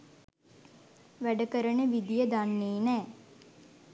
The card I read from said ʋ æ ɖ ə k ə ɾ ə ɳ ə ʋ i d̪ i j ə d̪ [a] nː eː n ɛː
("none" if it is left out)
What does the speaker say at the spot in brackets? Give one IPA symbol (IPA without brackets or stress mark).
a